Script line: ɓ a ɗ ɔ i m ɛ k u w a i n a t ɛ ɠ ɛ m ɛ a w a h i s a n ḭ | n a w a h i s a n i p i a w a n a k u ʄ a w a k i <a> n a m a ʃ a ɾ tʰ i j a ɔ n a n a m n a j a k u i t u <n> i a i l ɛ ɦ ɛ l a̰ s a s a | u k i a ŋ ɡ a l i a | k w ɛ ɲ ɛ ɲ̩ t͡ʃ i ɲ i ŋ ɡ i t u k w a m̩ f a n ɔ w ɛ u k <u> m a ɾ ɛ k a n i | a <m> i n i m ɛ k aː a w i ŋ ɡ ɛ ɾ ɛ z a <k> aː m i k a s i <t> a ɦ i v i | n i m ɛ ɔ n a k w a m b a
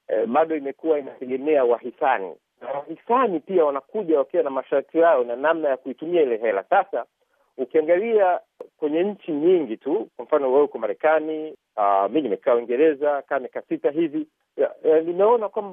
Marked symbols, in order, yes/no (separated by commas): yes, no, no, yes, yes, yes